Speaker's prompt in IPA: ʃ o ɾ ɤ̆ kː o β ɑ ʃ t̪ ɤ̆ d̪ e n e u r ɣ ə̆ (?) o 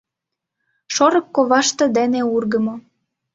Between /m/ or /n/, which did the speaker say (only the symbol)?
m